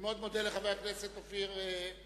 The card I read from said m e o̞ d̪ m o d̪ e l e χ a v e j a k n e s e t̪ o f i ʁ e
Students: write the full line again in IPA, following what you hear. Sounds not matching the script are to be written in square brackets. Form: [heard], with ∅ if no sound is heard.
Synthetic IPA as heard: m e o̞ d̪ m o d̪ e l e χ a v e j a k n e s e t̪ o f i ʁ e